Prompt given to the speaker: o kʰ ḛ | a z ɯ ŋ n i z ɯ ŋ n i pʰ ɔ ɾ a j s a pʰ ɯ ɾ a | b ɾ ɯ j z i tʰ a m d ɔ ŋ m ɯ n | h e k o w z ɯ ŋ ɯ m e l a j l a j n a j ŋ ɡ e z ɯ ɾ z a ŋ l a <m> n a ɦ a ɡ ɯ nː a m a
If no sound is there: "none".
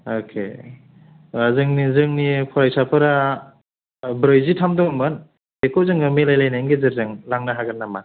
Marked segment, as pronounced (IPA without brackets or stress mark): ŋ